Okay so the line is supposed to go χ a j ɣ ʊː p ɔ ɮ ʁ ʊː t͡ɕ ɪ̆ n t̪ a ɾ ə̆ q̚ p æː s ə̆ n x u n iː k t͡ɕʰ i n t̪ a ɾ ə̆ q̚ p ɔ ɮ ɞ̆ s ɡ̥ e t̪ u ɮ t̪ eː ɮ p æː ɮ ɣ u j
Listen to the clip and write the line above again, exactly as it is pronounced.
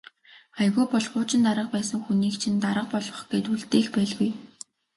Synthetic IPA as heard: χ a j ɣ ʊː p ɔ ɮ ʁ ʊː t͡ɕ ɪ̆ n t̪ a ɾ ə̆ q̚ p æː s ə̆ ŋ x u n iː k t͡ɕʰ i n t̪ a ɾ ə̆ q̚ p ɔ ɮ ɞ̆ χ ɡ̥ e t̪ u ɮ t̪ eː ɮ p æː ɮ ɣ u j